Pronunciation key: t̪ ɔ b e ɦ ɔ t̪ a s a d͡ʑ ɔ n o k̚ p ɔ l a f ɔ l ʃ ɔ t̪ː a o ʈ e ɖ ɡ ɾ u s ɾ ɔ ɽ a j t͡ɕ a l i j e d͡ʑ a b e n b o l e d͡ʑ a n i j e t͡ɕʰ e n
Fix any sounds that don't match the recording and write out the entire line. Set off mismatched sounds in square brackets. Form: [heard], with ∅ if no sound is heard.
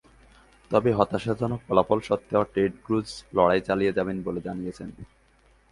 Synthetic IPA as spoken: t̪ ɔ b e ɦ ɔ t̪ a [ʃ] a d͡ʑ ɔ n o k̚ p ɔ l a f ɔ l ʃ ɔ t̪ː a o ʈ e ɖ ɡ ɾ u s [l] ɔ ɽ a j t͡ɕ a l i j e d͡ʑ a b e n b o l e d͡ʑ a n i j e t͡ɕʰ e n